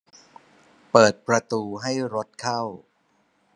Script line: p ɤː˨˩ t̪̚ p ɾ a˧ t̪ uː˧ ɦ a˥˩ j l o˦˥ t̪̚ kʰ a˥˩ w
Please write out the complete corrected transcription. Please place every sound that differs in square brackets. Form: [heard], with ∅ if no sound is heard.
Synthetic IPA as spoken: p ɤː˨˩ t̪̚ p ɾ a˧ t̪ uː˧ ɦ a˥˩ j [ɾ] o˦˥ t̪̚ kʰ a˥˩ w